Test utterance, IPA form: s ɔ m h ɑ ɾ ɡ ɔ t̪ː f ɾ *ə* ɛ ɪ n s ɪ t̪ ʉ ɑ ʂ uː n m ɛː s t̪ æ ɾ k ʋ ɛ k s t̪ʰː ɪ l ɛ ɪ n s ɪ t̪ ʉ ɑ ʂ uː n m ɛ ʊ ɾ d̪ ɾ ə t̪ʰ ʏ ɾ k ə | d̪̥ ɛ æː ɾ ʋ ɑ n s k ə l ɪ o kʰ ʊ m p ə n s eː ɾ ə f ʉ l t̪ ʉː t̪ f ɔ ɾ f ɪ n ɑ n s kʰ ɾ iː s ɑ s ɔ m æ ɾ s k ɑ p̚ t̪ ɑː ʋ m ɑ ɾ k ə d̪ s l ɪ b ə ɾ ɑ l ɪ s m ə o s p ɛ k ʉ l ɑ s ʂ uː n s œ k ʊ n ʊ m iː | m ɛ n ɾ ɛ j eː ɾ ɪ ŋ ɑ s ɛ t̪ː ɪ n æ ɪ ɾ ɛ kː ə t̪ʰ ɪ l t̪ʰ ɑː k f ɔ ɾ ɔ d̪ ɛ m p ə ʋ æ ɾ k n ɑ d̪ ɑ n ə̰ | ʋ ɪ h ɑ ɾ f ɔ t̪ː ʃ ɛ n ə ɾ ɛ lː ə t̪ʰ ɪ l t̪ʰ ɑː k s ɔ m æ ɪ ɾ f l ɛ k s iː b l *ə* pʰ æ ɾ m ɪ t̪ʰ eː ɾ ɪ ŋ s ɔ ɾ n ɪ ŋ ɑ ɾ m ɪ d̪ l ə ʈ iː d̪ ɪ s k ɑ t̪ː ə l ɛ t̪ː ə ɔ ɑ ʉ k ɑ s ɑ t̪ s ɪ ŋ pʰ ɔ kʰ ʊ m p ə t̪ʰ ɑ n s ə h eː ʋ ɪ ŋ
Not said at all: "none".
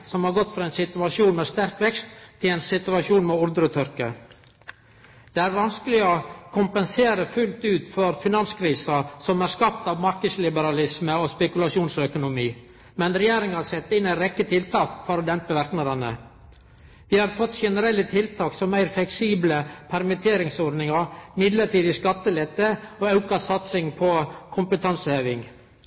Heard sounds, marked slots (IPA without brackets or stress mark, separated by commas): ɑ, ə